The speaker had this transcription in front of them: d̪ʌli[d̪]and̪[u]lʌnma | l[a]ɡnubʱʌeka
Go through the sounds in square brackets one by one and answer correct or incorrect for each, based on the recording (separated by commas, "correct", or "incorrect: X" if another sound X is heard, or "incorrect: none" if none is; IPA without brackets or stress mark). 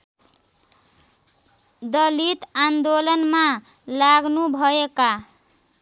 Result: incorrect: t̪, incorrect: o, correct